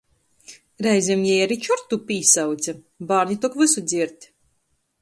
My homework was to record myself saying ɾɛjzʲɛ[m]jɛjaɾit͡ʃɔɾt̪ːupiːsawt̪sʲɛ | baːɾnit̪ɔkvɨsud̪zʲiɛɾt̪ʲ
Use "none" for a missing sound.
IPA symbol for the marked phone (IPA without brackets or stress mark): m